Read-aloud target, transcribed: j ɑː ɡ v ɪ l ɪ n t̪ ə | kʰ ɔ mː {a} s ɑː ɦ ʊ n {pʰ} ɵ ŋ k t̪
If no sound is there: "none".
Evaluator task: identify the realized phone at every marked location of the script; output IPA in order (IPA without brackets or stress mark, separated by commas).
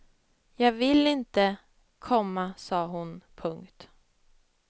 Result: a, pʰ